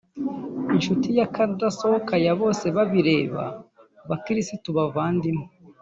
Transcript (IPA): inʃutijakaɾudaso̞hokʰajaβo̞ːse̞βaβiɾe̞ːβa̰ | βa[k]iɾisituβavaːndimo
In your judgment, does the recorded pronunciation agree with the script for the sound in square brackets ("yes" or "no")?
yes